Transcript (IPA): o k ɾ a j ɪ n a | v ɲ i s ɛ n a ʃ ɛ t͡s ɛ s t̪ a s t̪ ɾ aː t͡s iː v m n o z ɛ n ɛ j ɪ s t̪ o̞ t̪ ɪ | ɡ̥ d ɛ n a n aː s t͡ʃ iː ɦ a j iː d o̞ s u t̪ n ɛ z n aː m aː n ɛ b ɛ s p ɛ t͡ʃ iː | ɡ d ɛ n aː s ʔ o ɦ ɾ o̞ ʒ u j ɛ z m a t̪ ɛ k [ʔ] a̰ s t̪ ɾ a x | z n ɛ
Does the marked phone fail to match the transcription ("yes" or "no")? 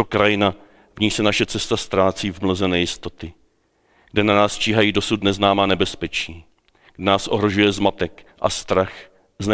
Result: no